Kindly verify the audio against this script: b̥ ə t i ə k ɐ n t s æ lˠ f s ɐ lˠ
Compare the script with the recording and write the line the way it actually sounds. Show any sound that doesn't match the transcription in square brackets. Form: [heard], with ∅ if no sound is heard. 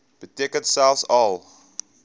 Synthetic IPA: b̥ ə t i ə k [ə] n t s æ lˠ f s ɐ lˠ